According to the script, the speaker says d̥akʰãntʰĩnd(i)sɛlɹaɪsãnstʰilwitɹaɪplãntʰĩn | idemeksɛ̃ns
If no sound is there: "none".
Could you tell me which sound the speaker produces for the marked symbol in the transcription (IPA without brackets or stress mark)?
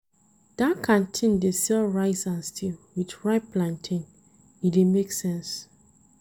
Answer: e